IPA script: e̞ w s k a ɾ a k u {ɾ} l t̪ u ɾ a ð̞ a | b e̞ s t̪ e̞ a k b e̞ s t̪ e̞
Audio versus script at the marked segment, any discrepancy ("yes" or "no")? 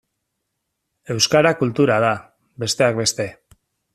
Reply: yes